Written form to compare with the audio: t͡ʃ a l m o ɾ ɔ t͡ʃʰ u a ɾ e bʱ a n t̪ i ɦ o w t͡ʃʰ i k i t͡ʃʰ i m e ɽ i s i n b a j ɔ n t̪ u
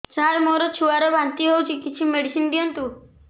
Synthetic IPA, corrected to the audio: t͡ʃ a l m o ɾ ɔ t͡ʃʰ u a ɾ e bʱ a n t̪ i ɦ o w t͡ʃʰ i k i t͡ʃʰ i m e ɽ i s i n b i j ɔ n t̪ u